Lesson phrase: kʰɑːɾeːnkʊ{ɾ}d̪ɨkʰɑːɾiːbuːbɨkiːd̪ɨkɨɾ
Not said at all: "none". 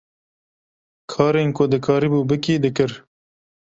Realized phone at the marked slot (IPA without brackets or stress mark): none